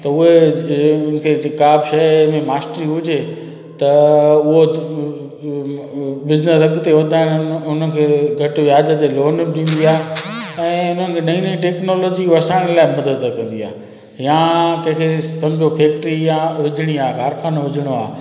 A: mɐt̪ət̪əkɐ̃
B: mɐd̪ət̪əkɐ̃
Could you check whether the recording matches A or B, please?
B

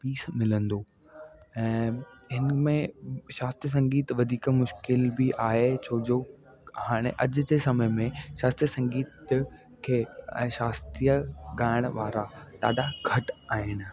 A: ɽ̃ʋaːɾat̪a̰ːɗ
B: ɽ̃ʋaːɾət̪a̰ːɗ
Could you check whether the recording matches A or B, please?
A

